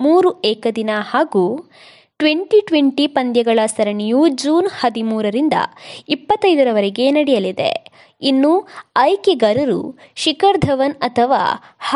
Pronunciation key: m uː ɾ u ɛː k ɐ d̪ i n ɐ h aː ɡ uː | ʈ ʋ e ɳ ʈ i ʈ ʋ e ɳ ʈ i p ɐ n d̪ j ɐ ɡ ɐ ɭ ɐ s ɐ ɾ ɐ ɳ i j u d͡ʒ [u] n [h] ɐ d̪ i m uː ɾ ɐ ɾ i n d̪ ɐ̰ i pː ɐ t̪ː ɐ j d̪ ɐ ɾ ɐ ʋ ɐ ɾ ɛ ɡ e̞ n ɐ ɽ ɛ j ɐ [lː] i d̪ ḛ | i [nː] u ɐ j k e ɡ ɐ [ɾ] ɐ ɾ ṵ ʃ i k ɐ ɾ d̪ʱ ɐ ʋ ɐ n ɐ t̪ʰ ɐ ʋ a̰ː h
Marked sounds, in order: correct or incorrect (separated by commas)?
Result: incorrect, correct, incorrect, correct, correct